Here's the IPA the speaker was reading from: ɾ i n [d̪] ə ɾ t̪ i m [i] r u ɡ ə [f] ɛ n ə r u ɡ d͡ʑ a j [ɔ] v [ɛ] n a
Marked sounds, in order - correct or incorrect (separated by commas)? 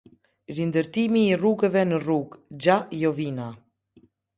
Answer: correct, incorrect, incorrect, correct, incorrect